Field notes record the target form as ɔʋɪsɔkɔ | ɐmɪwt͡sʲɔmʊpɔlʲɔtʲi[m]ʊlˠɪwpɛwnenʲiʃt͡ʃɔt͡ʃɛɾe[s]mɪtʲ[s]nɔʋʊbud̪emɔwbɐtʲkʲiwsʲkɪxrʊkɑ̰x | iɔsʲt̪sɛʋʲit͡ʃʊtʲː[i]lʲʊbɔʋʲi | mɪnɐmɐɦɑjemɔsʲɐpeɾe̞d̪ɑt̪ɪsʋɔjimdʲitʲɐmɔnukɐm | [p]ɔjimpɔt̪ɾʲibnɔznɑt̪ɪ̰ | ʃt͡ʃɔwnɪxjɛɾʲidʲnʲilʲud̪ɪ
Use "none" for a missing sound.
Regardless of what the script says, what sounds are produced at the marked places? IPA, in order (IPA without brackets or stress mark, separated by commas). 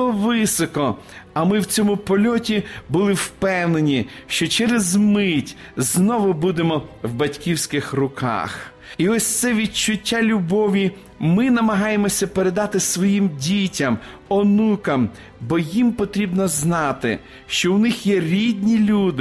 b, z, z, a, b